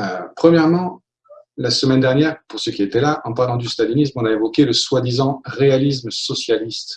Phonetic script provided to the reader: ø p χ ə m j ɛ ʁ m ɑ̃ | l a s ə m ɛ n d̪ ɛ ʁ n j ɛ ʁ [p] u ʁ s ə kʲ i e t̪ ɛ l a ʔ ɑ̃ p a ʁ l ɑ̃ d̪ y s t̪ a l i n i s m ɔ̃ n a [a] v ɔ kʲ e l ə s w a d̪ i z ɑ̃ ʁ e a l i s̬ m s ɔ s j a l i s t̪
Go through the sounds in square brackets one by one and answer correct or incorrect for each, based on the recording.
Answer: correct, incorrect

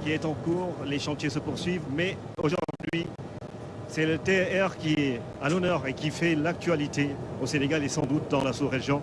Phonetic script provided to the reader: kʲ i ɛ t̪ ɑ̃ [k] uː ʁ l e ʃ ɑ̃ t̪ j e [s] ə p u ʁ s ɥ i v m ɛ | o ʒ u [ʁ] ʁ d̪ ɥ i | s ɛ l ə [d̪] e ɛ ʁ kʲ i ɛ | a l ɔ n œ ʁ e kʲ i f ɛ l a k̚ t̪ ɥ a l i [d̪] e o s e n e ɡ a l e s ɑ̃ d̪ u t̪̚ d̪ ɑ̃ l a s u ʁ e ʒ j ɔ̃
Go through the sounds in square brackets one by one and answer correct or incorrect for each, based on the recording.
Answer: correct, correct, correct, incorrect, incorrect

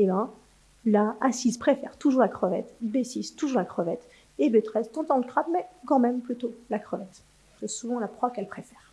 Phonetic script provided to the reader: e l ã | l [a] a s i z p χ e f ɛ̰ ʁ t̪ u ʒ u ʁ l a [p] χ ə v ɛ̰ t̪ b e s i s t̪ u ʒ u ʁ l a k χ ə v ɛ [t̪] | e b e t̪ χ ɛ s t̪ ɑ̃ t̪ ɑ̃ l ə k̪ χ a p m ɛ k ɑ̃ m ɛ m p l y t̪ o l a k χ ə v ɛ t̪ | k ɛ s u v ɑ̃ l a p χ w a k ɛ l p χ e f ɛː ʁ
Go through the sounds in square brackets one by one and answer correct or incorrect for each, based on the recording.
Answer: correct, incorrect, correct

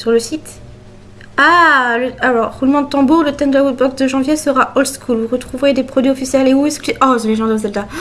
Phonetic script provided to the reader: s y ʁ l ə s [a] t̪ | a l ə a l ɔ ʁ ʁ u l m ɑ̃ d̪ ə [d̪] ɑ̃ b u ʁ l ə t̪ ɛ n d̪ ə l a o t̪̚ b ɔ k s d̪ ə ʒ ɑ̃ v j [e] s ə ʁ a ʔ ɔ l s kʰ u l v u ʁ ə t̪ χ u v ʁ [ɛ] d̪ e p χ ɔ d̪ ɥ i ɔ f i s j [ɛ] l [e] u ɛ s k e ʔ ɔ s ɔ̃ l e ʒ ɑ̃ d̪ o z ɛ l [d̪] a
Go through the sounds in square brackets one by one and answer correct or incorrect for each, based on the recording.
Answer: incorrect, incorrect, correct, incorrect, correct, correct, correct

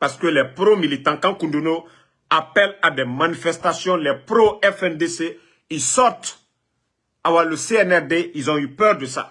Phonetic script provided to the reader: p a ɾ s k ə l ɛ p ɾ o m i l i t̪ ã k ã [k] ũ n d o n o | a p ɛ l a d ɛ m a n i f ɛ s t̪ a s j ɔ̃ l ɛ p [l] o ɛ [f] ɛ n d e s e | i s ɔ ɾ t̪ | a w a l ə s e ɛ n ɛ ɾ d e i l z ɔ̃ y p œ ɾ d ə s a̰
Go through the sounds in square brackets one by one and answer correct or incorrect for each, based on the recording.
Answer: correct, incorrect, correct

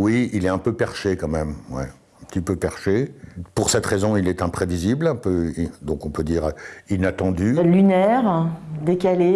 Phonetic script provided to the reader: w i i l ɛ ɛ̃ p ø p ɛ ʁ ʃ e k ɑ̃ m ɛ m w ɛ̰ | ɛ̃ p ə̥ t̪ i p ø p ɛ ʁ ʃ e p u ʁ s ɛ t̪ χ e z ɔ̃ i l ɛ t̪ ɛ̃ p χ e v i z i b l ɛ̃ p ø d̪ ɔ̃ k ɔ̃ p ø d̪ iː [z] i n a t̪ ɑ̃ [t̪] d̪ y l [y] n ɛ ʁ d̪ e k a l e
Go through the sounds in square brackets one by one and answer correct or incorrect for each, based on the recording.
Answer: incorrect, incorrect, correct

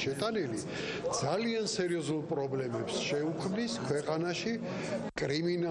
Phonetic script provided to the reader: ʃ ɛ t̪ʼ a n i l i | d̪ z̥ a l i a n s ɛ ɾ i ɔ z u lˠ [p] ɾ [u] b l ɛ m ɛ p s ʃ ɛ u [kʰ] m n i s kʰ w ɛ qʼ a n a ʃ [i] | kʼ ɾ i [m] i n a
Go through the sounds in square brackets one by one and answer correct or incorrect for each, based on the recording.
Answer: incorrect, incorrect, correct, correct, correct

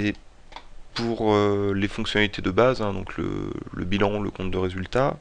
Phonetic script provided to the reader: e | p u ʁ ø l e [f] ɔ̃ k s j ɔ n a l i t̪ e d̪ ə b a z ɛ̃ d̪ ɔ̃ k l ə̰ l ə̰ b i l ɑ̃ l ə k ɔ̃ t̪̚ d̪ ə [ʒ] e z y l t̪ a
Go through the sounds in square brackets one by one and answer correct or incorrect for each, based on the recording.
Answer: correct, incorrect

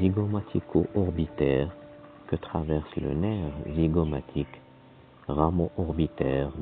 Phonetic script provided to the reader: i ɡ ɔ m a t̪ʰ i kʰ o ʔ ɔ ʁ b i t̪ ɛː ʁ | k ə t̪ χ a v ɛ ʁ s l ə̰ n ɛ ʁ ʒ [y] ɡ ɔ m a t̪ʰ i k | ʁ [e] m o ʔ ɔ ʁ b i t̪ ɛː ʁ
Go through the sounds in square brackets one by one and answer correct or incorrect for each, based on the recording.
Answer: incorrect, incorrect

